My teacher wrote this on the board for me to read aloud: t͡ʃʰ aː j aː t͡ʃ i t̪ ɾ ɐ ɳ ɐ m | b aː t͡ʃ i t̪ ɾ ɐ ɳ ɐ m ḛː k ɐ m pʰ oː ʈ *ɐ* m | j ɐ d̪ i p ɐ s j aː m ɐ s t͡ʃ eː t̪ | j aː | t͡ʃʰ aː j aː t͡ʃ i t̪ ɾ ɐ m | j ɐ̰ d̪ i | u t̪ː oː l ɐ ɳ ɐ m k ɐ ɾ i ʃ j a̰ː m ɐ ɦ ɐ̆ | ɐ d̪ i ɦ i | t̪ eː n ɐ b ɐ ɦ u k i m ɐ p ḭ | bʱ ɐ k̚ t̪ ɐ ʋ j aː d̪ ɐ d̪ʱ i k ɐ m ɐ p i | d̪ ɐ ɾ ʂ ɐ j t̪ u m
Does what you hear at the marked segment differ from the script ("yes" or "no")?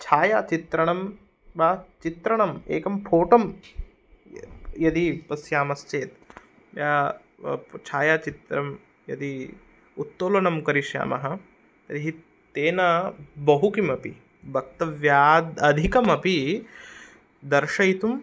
no